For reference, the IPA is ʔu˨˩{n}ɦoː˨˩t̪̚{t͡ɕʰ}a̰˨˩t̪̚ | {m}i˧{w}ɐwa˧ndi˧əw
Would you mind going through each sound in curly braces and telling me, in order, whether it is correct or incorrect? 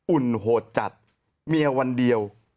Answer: correct, incorrect, correct, incorrect

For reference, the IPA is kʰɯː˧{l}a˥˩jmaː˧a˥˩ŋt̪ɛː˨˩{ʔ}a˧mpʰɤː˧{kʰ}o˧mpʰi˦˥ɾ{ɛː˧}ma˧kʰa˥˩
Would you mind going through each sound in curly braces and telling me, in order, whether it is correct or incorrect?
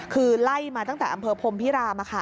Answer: correct, correct, incorrect, incorrect

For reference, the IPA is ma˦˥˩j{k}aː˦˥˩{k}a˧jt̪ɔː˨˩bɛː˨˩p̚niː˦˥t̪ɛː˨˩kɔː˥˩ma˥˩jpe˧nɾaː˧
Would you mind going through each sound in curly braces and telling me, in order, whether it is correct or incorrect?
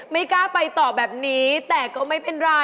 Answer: correct, incorrect

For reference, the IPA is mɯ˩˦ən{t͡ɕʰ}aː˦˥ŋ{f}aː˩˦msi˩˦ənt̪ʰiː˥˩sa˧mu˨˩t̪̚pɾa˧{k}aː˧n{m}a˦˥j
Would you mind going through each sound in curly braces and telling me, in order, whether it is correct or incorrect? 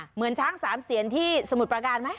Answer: correct, incorrect, correct, correct

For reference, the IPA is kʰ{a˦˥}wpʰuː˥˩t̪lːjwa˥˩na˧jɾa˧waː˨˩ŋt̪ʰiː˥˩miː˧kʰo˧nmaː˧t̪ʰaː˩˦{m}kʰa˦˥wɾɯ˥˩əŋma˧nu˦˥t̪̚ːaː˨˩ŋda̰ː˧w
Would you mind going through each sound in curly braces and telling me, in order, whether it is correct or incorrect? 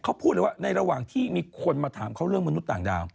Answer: correct, correct

